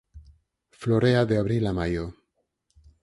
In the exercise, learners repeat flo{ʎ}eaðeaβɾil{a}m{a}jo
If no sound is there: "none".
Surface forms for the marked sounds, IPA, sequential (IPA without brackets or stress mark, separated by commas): ɾ, a, a